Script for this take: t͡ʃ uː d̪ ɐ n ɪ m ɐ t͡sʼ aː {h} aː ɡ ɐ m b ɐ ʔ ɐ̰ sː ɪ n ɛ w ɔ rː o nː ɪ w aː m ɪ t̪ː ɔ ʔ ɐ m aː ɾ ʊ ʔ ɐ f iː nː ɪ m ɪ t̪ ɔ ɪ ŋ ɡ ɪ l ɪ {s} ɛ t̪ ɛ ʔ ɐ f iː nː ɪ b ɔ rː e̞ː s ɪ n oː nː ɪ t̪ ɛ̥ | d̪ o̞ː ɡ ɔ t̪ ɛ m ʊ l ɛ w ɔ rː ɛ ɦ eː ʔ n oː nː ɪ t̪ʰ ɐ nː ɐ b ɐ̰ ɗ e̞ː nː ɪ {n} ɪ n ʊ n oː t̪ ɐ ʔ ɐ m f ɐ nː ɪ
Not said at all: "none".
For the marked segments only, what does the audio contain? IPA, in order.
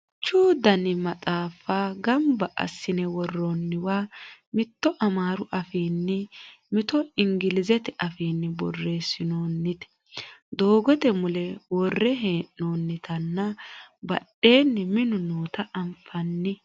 f, z, m

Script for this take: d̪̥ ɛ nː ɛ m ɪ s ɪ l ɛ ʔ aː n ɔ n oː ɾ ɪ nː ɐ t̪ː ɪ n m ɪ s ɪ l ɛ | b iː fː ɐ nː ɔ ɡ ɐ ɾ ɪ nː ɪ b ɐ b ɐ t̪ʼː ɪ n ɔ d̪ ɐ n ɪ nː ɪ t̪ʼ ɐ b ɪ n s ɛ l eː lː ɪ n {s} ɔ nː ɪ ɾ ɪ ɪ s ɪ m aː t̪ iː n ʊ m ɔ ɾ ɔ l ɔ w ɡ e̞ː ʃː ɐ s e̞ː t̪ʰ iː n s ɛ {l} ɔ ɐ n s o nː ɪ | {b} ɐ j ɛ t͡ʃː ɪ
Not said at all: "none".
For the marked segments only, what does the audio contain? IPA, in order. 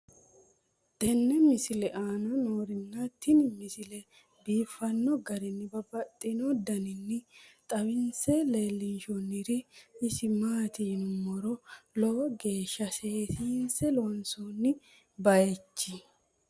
ʃ, l, b

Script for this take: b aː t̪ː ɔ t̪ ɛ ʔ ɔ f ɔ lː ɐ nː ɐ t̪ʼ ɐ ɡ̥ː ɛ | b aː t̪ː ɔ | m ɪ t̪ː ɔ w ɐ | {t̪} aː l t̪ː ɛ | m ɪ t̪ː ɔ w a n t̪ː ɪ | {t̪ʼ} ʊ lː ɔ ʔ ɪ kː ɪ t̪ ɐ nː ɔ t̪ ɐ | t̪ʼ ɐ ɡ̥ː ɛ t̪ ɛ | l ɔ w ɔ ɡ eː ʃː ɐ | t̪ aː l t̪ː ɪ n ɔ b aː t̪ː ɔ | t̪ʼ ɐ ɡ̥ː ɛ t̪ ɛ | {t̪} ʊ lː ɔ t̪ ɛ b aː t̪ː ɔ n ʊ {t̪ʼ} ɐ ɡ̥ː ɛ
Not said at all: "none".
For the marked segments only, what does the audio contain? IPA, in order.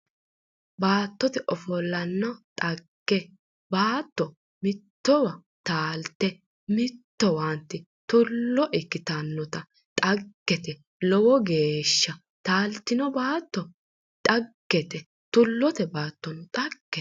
t̪, t̪, t̪, t̪ʼ

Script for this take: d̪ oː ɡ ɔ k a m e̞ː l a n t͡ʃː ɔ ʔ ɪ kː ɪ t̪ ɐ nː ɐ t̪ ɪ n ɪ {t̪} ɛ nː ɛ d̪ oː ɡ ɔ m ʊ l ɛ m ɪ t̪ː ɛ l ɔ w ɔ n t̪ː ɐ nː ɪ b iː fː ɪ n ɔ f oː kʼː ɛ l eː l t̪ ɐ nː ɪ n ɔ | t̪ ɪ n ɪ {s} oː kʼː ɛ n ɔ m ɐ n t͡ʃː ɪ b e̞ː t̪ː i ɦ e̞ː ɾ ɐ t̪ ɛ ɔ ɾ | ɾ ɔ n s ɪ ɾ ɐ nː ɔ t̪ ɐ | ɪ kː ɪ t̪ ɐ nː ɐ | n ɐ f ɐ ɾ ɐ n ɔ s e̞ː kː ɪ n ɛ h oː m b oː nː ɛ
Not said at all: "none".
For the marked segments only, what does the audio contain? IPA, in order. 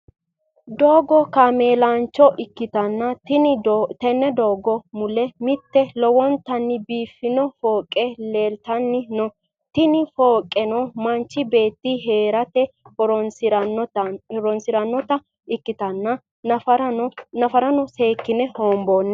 t̪, f

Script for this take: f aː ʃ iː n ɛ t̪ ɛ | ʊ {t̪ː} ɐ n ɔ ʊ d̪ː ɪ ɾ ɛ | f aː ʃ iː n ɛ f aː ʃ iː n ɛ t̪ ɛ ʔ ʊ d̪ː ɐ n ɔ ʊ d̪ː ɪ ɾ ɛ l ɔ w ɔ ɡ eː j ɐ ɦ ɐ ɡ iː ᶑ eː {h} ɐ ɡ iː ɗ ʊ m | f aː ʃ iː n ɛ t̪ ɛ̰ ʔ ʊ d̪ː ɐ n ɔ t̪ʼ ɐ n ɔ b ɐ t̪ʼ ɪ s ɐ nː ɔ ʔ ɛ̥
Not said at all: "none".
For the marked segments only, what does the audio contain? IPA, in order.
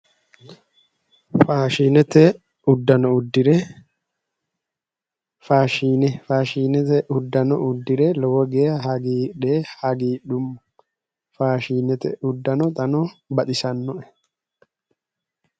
d̪ː, h

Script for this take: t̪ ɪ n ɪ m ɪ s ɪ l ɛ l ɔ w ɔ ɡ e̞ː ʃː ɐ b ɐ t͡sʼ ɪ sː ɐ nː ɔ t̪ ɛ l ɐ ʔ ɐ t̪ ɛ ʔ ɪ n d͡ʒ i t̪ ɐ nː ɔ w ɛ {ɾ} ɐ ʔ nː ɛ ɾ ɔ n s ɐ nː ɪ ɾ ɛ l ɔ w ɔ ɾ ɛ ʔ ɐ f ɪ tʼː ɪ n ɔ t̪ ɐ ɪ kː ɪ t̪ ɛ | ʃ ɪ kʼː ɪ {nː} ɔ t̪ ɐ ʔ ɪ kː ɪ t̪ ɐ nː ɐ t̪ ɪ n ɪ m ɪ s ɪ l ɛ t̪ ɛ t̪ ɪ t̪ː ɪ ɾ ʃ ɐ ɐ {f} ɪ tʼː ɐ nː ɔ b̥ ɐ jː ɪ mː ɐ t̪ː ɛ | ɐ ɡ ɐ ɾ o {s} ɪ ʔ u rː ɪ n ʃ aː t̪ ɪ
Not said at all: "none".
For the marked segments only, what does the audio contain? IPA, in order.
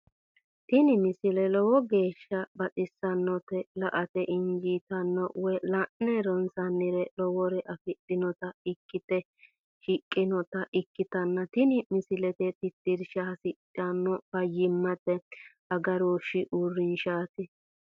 l, n, s, ʃ

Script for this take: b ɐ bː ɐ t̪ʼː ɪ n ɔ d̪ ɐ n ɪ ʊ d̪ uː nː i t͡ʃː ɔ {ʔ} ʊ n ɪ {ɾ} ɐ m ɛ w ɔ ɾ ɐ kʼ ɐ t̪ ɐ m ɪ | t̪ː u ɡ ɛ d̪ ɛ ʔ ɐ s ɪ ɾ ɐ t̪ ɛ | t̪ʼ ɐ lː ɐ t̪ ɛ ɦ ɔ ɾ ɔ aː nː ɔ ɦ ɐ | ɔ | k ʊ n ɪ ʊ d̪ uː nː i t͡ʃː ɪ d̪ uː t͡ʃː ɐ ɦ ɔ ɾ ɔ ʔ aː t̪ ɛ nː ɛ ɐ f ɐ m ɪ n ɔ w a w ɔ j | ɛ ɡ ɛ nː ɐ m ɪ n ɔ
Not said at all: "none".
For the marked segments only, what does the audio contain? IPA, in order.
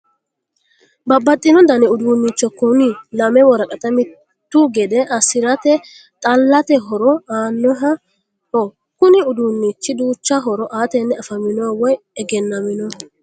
k, l

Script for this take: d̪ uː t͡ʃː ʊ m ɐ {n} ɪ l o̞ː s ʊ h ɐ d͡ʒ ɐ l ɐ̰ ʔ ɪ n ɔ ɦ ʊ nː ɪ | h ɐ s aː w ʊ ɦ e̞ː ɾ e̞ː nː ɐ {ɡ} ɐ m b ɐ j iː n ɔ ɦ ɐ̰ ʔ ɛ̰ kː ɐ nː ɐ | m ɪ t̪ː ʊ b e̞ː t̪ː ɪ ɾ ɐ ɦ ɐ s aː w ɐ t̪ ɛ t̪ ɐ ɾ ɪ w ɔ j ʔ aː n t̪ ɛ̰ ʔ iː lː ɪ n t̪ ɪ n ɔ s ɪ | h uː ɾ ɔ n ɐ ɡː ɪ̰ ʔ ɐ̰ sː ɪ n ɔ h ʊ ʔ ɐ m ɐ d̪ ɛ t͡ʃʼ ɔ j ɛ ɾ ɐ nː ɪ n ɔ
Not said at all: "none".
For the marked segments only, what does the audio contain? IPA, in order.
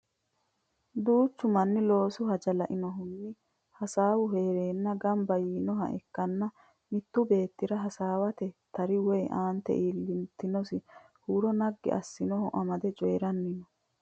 nː, ɡ

